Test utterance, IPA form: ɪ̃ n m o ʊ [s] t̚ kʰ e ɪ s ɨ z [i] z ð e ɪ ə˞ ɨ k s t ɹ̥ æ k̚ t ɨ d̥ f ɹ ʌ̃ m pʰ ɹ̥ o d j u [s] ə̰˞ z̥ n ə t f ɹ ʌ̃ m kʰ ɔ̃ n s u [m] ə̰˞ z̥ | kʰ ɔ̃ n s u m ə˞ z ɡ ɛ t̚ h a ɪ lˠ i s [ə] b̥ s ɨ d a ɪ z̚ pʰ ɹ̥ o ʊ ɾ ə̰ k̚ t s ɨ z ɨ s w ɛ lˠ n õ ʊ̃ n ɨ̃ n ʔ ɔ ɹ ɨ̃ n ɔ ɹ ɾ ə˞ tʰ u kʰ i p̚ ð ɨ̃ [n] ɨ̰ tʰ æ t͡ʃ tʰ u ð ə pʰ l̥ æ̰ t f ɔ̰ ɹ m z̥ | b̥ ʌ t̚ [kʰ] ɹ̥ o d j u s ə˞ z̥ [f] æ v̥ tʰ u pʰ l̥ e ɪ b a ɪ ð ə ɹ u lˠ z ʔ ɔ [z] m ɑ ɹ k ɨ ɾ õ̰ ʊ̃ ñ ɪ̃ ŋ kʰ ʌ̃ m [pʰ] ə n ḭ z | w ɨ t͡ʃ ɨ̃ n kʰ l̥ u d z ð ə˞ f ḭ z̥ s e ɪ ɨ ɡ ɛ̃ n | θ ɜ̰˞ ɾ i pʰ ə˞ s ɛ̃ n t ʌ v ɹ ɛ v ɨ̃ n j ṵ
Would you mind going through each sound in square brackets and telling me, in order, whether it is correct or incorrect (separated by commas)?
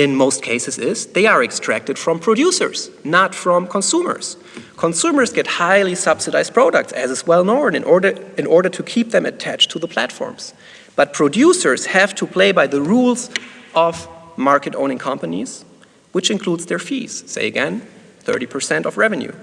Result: correct, incorrect, correct, correct, incorrect, incorrect, incorrect, incorrect, incorrect, incorrect